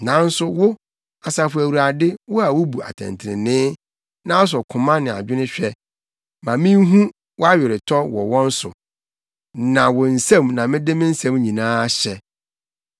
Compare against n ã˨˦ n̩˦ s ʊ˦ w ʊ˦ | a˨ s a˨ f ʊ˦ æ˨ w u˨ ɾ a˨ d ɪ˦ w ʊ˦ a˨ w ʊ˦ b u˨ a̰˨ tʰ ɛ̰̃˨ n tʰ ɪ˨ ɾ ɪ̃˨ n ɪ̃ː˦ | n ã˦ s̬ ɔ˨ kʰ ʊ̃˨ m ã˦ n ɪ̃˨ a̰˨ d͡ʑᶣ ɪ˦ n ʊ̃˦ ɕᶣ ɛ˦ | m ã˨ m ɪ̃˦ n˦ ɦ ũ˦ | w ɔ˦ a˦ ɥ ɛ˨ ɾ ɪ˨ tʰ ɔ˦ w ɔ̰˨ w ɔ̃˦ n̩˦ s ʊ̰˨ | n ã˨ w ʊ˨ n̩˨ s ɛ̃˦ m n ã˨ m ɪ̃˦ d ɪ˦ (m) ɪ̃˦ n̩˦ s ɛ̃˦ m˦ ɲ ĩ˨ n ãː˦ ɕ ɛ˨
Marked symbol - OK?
yes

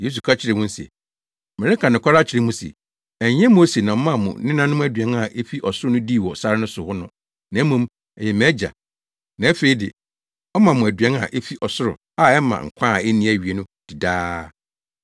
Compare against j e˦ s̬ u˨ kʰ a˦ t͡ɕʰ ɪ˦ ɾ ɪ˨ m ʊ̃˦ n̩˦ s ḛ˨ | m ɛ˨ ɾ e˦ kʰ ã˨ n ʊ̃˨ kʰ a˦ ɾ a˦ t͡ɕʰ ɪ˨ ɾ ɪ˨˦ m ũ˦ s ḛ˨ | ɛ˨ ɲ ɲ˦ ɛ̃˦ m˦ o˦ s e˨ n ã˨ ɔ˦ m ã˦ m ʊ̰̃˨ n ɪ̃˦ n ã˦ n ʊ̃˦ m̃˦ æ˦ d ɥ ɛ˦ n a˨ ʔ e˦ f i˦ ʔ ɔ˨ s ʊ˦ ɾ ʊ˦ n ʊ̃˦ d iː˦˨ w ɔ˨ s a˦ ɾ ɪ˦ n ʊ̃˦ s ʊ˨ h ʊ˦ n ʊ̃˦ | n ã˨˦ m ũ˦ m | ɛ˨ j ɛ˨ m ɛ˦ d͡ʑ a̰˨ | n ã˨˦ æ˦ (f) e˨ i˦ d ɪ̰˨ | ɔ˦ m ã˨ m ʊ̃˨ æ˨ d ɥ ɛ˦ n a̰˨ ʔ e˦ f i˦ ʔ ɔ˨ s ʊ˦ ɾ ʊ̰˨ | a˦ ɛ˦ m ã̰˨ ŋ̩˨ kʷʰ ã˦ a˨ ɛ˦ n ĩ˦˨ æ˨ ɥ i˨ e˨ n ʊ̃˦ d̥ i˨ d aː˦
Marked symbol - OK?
yes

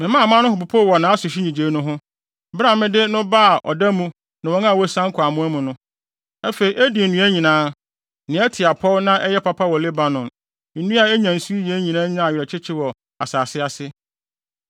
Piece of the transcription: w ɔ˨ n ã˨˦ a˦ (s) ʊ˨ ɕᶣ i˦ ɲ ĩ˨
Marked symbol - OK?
yes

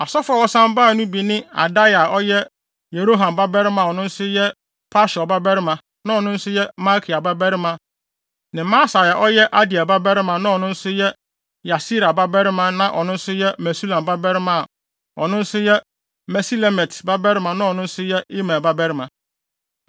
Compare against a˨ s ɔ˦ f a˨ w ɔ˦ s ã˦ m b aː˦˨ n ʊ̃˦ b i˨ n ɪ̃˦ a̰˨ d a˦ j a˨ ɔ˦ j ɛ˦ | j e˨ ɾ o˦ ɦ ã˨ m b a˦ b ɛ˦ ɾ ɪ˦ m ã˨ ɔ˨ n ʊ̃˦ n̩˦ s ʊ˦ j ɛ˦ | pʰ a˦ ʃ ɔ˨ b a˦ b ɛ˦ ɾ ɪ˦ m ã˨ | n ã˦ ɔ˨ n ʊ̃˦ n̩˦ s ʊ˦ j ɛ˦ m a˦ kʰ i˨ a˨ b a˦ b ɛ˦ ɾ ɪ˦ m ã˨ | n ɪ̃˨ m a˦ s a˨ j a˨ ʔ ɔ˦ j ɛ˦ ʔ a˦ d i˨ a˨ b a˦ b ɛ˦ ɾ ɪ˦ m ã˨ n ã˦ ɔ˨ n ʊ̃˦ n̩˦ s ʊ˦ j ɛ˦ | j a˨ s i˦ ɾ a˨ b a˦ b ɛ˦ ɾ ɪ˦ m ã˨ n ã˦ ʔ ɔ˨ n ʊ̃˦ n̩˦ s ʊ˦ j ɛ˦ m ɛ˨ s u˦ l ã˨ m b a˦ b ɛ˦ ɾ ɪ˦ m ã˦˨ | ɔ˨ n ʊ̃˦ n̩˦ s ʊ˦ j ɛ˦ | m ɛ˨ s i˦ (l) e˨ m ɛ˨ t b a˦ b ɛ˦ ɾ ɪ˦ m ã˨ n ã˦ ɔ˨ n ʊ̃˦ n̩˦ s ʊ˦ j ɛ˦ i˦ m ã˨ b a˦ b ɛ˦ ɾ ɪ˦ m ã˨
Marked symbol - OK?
yes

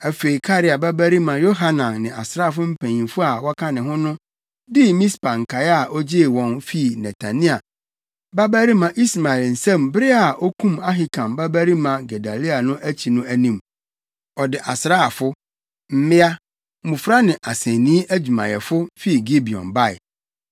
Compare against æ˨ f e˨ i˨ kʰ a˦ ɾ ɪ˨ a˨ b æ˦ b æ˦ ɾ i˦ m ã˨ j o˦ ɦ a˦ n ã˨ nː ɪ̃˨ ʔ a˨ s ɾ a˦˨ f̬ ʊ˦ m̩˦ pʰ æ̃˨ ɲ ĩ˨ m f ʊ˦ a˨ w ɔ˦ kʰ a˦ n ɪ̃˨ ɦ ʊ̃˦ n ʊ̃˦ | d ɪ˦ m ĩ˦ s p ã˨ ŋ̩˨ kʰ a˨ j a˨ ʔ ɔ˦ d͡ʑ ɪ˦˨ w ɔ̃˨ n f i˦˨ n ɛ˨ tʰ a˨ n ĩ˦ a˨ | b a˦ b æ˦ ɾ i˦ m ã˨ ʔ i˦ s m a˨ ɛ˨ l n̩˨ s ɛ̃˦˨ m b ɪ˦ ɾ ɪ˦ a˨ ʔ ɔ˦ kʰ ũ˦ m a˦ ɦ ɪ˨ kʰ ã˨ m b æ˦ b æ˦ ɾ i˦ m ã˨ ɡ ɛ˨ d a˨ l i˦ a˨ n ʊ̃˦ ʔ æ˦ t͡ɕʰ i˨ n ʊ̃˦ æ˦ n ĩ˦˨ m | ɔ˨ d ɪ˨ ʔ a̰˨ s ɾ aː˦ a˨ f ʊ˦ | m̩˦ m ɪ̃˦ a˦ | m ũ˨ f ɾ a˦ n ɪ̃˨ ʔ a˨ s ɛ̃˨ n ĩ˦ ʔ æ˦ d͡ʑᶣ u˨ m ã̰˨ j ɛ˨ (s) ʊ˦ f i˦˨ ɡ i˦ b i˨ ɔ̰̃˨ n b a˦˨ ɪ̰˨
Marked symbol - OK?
no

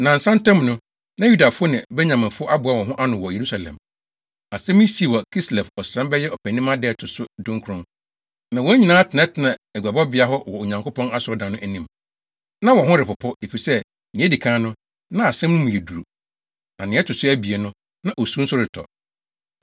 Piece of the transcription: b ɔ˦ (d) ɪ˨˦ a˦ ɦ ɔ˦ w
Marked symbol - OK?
no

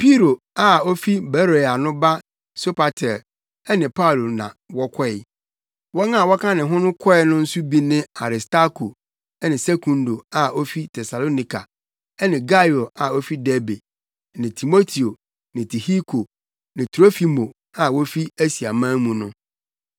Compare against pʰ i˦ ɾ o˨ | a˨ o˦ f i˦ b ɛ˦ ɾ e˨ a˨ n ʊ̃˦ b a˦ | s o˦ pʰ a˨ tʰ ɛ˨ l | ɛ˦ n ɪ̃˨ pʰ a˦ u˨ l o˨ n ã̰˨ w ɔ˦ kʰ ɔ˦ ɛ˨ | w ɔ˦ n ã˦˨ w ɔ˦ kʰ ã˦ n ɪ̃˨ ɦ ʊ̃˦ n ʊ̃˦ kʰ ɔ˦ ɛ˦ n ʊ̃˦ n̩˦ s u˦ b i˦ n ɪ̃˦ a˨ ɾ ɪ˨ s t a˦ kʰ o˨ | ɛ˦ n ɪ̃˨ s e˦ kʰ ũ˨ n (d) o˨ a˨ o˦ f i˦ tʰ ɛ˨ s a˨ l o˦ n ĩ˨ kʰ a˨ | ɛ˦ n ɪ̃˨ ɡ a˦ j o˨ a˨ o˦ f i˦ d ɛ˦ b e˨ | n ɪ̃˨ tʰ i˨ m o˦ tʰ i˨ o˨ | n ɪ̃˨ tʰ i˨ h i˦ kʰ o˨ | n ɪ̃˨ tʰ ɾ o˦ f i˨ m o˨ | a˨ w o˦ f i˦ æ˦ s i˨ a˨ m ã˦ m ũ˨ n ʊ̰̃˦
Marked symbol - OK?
yes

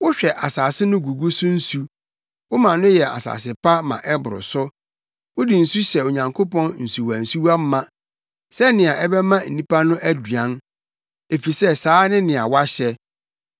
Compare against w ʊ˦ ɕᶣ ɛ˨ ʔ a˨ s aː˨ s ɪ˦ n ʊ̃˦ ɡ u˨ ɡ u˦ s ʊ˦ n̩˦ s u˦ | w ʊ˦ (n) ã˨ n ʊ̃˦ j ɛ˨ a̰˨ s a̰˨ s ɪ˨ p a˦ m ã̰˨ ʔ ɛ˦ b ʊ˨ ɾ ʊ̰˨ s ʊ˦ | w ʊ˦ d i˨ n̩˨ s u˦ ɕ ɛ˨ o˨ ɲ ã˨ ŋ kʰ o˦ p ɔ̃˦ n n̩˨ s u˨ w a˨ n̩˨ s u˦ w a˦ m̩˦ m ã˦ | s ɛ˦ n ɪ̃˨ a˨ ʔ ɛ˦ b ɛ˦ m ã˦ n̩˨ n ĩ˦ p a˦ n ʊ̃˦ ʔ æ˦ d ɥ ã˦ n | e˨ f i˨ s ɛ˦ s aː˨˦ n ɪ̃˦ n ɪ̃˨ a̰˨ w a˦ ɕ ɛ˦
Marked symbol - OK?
no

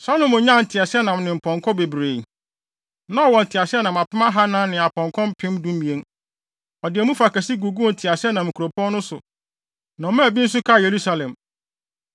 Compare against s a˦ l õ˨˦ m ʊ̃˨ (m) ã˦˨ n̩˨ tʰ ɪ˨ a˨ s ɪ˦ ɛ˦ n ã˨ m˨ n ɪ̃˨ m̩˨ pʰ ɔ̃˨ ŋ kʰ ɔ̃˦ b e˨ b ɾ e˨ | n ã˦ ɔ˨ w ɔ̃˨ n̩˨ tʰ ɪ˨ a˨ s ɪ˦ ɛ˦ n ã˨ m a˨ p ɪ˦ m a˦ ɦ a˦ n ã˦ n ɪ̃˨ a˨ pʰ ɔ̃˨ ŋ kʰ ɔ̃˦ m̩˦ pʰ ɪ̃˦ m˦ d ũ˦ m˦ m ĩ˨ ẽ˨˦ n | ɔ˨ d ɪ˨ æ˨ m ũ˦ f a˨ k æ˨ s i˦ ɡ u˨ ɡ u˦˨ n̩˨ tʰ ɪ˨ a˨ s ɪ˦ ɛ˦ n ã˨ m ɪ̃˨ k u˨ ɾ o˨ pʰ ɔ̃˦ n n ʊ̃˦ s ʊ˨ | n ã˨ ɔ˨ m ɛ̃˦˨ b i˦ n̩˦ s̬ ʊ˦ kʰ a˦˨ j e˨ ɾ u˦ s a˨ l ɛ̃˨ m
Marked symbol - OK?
no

